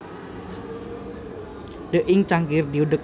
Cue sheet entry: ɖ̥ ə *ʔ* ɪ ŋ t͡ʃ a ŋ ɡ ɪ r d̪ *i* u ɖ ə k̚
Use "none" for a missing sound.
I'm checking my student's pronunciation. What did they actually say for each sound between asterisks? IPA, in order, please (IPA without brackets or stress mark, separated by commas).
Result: ʔ, i